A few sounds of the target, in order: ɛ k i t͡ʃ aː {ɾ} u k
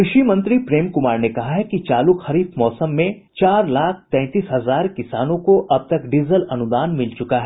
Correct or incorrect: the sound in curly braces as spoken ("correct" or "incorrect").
incorrect